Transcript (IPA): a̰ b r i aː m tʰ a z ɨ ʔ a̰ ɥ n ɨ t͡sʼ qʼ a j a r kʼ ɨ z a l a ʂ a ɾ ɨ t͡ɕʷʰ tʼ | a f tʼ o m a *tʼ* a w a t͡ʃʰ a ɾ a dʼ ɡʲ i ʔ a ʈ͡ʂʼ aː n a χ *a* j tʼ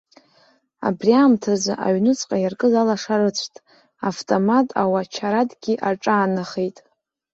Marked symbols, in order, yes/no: yes, no

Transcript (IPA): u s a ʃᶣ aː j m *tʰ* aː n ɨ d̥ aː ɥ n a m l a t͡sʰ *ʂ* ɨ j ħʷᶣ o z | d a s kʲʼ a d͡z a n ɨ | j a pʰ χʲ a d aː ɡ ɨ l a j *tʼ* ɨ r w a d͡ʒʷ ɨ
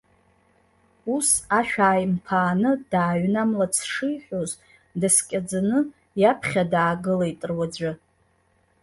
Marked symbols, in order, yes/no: no, yes, yes

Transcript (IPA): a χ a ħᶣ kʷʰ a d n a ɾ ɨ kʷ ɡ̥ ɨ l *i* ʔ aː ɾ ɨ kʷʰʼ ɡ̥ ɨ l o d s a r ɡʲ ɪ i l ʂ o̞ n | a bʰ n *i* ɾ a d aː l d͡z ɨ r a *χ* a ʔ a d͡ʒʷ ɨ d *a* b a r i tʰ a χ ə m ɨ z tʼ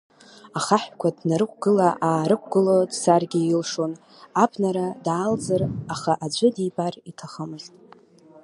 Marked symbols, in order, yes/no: no, no, yes, no

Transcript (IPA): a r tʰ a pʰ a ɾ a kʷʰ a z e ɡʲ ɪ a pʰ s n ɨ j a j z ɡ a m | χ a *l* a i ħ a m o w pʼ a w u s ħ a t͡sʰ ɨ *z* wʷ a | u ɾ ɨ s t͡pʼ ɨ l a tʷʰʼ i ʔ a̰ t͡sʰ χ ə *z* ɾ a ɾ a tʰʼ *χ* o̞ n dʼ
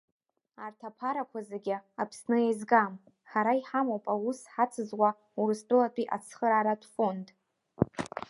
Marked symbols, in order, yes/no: no, yes, no, no

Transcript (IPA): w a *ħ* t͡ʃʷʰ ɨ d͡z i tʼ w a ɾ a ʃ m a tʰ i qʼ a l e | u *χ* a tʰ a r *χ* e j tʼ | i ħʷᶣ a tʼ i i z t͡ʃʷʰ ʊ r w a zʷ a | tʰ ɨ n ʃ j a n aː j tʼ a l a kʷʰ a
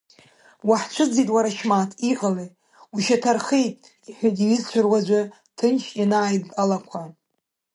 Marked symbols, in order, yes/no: yes, no, yes

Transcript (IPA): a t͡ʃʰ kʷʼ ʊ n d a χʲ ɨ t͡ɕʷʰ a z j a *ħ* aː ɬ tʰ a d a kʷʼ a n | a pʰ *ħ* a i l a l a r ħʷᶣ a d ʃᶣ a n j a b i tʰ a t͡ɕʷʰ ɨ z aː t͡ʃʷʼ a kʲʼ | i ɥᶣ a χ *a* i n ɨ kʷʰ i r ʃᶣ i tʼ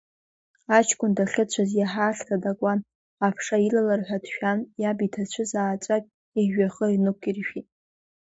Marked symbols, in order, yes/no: yes, no, no

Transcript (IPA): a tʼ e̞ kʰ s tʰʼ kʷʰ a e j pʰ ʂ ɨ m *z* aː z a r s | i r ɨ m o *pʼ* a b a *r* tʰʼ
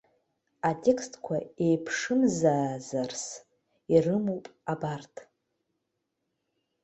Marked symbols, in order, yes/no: yes, yes, yes

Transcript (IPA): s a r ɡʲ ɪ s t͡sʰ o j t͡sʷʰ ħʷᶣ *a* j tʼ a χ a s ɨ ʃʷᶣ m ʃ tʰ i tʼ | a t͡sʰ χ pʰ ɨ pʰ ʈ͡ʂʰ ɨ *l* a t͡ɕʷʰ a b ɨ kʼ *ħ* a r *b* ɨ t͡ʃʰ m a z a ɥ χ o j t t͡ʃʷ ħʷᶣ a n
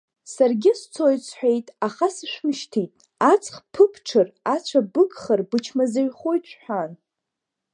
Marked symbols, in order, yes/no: no, no, no, yes

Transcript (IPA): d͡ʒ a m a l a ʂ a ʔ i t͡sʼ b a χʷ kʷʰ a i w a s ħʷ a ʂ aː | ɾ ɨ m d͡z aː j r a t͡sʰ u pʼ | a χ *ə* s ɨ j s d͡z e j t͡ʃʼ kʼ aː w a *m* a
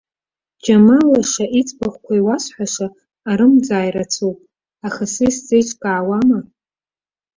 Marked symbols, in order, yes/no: no, yes

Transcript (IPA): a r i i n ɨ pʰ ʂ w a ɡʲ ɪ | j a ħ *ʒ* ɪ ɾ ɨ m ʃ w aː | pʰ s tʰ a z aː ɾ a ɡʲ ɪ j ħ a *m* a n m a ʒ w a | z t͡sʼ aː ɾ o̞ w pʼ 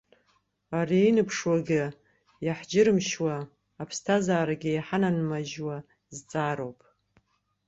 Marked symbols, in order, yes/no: no, no

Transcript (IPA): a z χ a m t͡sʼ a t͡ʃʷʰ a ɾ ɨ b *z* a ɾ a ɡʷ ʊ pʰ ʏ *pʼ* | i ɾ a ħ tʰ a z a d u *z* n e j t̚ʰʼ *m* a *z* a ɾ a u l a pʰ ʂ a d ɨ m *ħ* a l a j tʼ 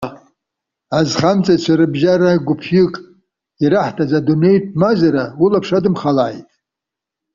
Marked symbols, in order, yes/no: no, no, no, yes, yes, no

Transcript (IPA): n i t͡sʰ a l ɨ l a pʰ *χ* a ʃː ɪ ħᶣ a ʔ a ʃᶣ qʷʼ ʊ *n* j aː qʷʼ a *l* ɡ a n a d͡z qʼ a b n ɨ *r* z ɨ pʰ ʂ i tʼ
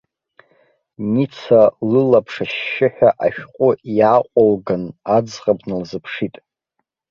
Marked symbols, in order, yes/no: no, no, yes, no

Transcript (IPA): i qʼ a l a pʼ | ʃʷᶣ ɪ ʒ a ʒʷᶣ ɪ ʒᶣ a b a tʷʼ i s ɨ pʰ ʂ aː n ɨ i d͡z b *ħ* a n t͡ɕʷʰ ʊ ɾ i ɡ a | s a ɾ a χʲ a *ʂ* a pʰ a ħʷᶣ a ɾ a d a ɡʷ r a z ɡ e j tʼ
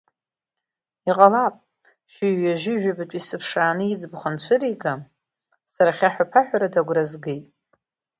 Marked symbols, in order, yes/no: no, no

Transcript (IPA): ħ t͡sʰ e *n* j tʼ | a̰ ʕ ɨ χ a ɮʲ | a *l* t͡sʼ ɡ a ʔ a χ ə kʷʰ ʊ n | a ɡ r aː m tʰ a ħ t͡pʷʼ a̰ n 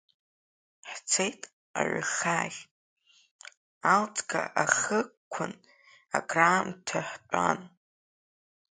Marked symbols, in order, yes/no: no, yes

